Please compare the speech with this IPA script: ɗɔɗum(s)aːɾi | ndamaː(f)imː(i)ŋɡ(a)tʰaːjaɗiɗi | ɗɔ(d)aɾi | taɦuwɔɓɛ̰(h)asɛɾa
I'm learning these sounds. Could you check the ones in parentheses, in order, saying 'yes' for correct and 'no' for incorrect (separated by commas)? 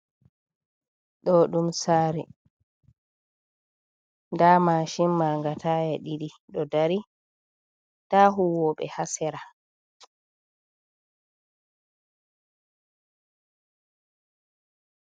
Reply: yes, no, no, yes, yes, yes